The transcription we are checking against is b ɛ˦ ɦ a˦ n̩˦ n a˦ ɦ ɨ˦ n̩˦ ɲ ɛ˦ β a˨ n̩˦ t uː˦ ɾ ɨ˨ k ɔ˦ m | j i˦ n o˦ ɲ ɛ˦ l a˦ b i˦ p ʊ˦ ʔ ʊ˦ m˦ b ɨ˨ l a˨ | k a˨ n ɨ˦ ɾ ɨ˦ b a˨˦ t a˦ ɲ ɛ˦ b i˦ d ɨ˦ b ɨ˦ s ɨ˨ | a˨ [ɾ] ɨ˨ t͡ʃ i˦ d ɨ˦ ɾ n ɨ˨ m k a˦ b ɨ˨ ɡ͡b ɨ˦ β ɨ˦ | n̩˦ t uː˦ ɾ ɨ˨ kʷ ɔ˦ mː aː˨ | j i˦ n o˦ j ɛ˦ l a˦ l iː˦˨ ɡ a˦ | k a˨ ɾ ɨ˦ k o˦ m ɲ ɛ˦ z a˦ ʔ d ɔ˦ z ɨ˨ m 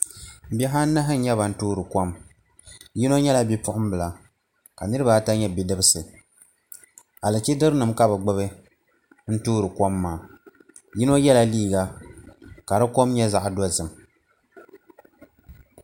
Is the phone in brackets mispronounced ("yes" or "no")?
yes